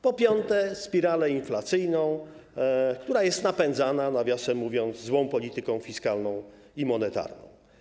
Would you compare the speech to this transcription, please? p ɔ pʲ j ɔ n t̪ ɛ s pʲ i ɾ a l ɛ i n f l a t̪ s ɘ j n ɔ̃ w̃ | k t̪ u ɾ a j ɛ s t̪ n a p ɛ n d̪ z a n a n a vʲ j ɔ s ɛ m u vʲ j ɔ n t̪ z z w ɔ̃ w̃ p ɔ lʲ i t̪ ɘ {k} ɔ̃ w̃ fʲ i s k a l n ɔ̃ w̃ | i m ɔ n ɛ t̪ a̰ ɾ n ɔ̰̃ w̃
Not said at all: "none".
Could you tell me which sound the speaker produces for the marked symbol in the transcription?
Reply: k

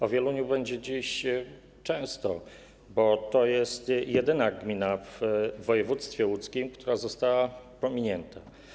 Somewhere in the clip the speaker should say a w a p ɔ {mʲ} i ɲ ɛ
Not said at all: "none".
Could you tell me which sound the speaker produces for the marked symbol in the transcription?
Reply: mʲ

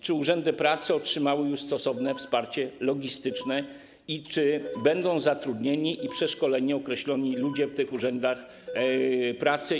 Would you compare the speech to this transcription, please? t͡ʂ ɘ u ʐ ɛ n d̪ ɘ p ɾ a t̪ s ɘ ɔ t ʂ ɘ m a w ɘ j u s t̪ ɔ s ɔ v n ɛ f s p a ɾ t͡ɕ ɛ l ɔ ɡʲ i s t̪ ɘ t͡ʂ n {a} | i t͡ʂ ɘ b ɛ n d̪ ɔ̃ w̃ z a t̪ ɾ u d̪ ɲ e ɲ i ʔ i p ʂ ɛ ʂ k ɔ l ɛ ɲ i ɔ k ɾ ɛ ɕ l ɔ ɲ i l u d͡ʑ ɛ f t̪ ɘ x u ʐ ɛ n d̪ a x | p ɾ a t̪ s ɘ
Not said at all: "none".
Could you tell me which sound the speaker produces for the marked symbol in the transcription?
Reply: ɛ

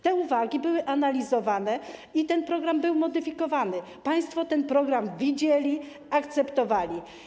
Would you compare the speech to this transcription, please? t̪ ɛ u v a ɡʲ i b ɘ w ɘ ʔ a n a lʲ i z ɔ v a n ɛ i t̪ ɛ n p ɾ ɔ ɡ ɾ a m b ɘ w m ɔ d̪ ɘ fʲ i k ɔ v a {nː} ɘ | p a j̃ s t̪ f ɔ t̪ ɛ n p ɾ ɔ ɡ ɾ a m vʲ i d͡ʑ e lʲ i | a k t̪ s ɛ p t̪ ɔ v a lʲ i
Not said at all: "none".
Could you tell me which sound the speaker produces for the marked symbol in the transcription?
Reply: n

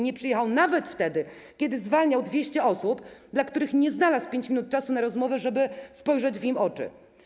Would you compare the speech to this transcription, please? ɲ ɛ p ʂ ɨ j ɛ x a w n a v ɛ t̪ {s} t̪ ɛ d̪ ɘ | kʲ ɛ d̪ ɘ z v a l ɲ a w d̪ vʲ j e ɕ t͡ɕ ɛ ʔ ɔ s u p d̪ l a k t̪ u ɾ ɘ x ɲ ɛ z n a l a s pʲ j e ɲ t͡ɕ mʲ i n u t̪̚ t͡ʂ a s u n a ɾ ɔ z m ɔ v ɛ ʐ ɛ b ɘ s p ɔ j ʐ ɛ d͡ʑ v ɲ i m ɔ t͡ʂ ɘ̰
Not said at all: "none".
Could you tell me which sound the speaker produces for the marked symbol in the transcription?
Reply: f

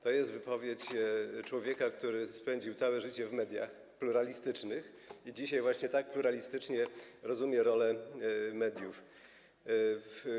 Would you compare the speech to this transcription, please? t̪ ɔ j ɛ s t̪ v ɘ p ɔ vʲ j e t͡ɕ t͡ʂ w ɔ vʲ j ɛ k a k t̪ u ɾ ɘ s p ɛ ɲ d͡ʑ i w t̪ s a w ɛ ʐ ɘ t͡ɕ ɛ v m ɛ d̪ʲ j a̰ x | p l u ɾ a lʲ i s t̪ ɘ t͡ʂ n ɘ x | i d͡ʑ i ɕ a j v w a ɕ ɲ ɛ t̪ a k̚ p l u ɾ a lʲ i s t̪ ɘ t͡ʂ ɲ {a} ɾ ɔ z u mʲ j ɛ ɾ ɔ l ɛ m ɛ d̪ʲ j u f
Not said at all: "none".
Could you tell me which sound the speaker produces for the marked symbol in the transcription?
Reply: ɛ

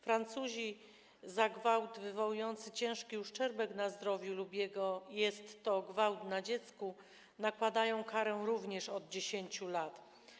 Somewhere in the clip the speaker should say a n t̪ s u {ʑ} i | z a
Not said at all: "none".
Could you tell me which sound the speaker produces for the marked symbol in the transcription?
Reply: ʑ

